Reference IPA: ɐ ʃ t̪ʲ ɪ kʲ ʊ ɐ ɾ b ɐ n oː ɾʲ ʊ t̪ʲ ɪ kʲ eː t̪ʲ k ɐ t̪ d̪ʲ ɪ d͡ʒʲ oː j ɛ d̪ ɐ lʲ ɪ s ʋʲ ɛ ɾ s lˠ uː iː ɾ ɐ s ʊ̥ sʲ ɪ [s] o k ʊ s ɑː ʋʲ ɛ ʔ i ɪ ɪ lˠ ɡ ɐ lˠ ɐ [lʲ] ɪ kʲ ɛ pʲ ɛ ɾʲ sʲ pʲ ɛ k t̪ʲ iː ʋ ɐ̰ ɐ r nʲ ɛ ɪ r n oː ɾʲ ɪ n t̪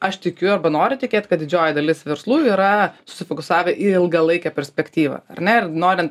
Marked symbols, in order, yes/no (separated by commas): no, no